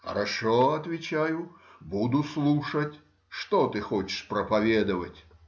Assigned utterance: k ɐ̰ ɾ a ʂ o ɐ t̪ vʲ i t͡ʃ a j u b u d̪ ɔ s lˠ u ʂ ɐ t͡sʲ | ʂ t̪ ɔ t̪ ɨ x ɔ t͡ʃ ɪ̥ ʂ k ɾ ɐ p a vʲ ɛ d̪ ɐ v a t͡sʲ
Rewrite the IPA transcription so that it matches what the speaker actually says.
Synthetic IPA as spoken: x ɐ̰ ɾ a ʂ ɔ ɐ t̪ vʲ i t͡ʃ a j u b u d̪ u s lˠ u ʂ ɐ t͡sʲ | ʂ t̪ ɔ t̪ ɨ x ɔ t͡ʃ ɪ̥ ʂ p ɾ ɐ p a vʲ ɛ d̪ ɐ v ɐ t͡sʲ

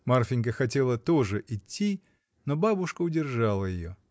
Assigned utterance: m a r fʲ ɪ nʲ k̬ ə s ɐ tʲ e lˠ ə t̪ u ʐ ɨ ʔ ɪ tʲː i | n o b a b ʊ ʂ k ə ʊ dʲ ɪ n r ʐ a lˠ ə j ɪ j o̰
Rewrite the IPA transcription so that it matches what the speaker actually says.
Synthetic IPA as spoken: m a r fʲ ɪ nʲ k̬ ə x ɐ tʲ e lˠ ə t̪ o ʐ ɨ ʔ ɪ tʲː i | n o b a b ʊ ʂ k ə ʊ dʲ ɪ r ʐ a lˠ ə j ɪ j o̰

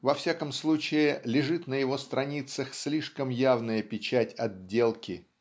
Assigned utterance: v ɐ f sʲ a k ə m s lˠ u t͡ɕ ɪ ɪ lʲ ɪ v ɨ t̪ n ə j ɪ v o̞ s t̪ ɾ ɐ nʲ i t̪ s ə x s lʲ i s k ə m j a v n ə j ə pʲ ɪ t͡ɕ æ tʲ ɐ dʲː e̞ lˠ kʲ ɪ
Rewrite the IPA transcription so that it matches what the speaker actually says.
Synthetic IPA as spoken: v ɐ f sʲ a k ə m s lˠ u t͡ɕ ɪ ɪ lʲ ɪ ʐ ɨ t̪ n ə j ɪ v o̞ s t̪ ɾ ɐ nʲ i t̪ s ə x s lʲ i ʂ k ə m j a v n ə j ə pʲ ɪ t͡ɕ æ tʲ ɐ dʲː e̞ lˠ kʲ ɪ

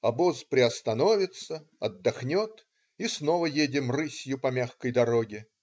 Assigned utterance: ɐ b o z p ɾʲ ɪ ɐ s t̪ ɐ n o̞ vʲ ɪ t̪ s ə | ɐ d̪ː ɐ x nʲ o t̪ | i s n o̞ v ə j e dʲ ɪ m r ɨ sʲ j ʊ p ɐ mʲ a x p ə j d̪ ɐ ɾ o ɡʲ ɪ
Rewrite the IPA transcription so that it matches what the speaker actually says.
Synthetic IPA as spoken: ɐ b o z p ɾʲ ɪ ɐ s t̪ ɐ n o̞ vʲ ɪ t̪ s ə | ɐ d̪ː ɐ x nʲ o t̪ | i s n o̞ v ə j e dʲ ɪ m r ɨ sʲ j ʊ p ɐ mʲ a x k ə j d̪ ɐ ɾ o ɡʲ ɪ

